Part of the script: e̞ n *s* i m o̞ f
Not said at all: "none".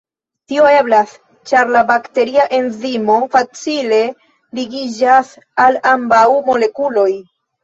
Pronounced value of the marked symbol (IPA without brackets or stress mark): z